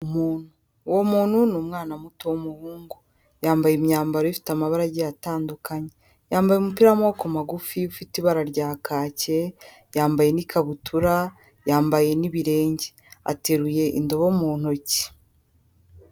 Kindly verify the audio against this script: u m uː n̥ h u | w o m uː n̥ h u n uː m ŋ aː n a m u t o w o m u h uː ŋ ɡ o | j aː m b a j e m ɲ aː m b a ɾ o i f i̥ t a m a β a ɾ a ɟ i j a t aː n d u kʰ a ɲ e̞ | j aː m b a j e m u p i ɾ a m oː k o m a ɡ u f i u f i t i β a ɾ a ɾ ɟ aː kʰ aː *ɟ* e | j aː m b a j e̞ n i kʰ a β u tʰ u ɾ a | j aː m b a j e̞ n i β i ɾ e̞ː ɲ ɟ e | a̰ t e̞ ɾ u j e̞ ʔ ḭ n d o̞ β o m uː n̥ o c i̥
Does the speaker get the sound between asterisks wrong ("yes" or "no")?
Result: yes